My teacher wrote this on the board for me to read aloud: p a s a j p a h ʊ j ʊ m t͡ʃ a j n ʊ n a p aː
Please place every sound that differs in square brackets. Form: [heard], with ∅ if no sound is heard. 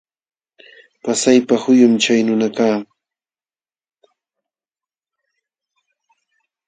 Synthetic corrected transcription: p a s a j p a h ʊ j ʊ m t͡ʃ a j n ʊ n a [k] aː